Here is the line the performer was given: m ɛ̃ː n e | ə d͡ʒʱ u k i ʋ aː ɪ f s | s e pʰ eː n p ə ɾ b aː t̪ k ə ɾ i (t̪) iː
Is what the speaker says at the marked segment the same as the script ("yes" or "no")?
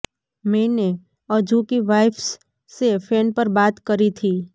no